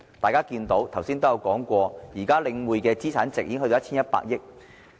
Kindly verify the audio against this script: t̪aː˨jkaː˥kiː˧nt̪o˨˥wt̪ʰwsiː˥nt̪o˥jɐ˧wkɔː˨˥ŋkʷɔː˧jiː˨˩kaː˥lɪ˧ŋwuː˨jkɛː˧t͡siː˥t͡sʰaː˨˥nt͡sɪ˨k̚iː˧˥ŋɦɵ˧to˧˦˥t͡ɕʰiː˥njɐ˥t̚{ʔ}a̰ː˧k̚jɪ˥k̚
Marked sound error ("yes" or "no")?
yes